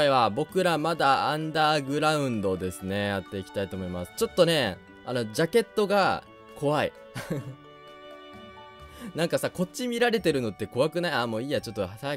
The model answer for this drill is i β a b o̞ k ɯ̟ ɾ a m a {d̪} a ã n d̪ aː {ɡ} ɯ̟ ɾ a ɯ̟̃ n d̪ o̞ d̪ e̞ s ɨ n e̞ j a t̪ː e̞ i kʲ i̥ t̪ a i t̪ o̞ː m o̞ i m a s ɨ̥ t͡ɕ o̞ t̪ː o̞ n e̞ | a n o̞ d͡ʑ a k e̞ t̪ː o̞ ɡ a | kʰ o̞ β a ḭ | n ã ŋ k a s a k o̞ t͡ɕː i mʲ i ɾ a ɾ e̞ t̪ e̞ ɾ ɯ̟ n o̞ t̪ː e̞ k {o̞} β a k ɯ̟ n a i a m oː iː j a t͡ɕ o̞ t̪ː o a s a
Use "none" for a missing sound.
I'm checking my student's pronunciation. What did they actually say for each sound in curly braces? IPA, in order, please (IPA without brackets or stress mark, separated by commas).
d̪, ɡ, o̞